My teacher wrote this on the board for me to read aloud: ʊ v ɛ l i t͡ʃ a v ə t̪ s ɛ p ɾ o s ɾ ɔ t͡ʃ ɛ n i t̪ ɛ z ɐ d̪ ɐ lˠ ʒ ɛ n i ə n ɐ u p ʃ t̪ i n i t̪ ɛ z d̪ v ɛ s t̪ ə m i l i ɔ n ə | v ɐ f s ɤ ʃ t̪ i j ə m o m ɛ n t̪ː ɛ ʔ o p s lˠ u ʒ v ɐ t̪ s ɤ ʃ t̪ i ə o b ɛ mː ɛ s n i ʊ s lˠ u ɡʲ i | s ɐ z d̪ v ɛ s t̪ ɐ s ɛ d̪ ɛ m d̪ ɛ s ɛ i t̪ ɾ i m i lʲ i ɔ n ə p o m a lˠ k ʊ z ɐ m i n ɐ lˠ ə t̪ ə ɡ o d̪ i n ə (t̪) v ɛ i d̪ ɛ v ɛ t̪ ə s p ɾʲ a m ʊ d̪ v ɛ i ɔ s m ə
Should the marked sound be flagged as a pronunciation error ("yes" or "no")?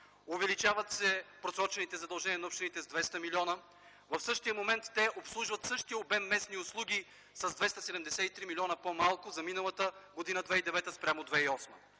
yes